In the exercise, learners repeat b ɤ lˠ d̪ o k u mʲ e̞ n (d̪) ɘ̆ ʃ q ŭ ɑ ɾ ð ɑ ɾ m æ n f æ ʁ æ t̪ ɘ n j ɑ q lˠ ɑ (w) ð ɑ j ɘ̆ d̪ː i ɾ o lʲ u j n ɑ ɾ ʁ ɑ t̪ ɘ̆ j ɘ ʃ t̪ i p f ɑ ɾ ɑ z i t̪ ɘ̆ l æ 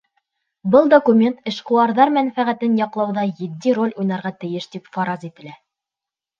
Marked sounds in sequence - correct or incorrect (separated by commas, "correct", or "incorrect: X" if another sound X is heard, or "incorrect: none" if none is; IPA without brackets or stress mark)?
incorrect: t̪, correct